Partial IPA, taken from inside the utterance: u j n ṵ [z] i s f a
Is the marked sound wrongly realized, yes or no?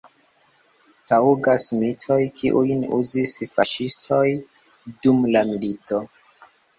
no